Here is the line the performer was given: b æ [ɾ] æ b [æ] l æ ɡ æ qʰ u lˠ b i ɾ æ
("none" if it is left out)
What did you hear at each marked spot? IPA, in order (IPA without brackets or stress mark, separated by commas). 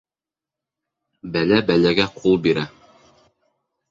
l, æ